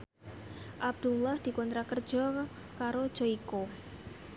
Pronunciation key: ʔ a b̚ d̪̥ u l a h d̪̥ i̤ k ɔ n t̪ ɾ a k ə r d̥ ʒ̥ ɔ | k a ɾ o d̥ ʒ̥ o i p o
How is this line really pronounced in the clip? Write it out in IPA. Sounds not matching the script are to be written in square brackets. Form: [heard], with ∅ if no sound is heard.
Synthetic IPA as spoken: ʔ a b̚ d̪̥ u l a h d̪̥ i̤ k ɔ n t̪ ɾ a k ə r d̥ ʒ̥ ɔ | k a ɾ o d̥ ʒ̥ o i [k] o